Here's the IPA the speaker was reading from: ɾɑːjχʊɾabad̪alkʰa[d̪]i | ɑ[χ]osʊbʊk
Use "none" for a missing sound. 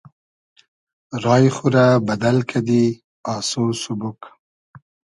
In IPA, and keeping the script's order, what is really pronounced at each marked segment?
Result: d̪, s

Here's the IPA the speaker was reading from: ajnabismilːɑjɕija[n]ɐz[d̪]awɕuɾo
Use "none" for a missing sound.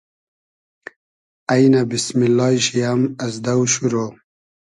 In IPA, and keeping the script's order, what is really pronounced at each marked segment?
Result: m, d̪

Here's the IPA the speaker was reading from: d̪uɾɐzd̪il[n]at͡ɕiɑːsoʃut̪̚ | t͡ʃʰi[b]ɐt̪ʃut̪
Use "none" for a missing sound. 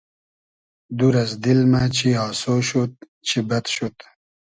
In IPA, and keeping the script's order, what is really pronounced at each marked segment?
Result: m, b

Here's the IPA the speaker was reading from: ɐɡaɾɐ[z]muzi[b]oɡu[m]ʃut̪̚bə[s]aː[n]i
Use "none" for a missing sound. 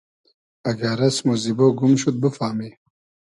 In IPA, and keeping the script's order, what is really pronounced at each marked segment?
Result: s, b, m, f, m

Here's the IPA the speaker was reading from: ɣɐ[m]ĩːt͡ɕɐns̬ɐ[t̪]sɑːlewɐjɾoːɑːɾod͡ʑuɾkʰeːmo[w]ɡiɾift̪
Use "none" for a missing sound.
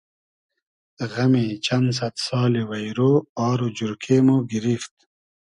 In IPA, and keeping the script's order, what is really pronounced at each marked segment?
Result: m, t̪, none

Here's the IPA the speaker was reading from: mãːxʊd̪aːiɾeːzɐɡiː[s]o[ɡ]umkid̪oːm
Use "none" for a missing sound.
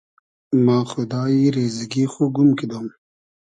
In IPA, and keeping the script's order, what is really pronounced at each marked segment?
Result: x, ɡ

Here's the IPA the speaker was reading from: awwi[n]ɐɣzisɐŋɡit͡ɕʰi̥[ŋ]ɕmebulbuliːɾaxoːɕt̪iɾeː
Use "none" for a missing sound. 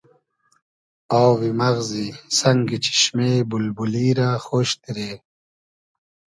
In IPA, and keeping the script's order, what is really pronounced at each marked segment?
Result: m, none

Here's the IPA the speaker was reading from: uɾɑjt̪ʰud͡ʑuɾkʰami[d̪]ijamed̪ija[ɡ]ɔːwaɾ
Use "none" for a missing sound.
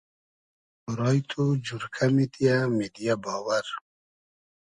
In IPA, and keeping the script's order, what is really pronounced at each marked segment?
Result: t̪, b

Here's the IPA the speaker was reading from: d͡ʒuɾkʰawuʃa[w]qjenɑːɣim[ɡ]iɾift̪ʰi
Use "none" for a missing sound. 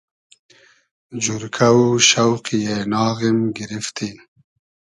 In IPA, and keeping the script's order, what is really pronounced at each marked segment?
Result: w, ɡ

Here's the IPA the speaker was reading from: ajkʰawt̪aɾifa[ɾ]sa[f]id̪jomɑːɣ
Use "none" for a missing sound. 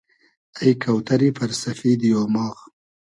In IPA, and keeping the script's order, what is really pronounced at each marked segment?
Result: ɾ, f

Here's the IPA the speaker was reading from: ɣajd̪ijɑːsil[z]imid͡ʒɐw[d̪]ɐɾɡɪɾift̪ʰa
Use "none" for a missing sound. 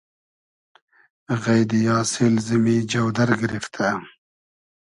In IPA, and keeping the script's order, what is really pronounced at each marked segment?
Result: z, d̪

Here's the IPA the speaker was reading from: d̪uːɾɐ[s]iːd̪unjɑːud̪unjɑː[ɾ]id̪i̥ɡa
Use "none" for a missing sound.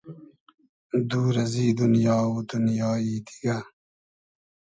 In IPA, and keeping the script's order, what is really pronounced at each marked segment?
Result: z, none

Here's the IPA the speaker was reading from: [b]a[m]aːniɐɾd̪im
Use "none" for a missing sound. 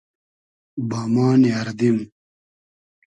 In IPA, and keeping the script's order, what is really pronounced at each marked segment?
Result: b, m

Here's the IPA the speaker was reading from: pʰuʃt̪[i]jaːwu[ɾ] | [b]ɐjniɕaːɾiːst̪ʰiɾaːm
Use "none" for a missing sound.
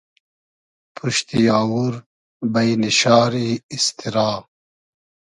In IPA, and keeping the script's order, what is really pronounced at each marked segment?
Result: i, ɾ, b

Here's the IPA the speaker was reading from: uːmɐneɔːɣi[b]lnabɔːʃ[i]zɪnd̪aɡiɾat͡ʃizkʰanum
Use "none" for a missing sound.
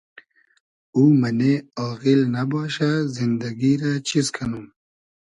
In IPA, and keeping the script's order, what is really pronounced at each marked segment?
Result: none, a

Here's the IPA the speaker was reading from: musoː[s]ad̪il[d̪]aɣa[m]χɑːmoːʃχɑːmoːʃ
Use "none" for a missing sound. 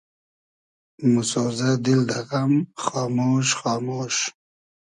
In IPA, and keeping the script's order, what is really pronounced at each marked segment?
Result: z, d̪, m

